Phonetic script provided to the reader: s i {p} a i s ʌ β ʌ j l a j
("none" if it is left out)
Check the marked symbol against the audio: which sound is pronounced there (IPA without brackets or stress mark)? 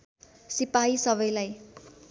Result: p